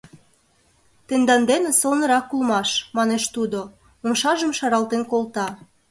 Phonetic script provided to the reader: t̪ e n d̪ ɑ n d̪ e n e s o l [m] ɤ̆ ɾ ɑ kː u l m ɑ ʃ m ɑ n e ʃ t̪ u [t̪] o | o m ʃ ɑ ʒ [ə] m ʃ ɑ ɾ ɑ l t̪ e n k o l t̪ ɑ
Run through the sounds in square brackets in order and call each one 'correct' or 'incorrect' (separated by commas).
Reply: incorrect, incorrect, correct